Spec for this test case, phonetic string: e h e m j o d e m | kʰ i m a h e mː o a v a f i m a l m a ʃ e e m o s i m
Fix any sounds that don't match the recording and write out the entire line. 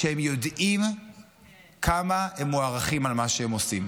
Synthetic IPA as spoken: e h e m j o d i m | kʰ a m a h e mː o a ʁ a χ i m a l m a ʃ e e m o s i m